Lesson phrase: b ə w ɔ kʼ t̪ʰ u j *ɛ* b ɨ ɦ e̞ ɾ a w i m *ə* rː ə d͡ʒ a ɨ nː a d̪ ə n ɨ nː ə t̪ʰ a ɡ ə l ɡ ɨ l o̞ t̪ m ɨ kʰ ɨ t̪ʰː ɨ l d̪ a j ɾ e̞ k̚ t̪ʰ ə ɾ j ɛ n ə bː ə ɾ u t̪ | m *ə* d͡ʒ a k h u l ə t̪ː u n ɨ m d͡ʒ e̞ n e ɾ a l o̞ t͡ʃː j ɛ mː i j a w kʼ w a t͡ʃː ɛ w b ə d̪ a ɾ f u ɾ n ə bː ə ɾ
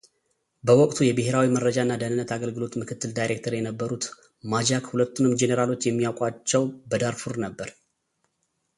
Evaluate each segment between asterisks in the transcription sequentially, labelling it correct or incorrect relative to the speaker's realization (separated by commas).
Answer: correct, correct, incorrect